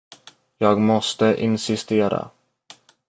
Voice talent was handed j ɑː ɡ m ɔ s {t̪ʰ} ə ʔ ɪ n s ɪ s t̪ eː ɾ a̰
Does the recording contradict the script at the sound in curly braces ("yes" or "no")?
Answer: yes